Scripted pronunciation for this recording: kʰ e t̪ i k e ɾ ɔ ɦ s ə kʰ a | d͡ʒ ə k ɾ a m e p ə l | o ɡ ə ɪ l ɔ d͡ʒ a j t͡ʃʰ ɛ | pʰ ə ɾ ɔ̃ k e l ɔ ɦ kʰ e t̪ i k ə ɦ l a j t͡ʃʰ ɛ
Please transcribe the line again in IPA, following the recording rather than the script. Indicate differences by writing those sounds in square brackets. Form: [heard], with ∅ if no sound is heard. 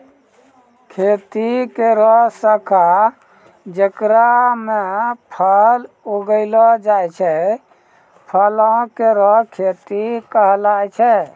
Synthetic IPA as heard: kʰ e t̪ i k e ɾ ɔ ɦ s ə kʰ a | d͡ʒ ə k ɾ a m e [pʰ] ə l | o ɡ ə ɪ l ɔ d͡ʒ a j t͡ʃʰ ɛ | pʰ ə [l] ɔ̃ k e [ɾ] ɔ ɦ kʰ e t̪ i k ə ɦ l a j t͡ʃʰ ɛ